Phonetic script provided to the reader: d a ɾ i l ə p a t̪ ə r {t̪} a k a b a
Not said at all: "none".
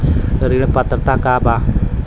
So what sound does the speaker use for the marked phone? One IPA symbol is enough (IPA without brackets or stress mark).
t̪